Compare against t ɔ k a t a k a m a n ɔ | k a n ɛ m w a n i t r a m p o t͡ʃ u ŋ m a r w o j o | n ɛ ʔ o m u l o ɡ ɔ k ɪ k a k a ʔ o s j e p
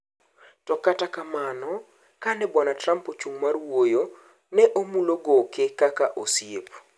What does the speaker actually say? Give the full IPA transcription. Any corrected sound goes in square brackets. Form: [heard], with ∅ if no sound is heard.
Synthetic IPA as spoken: t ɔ k a t a k a m a n ɔ | k a n ɛ [b] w a n [a] t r a m p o t͡ʃ u ŋ m a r w o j o | n ɛ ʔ o m u l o ɡ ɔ k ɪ k a k a ʔ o s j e p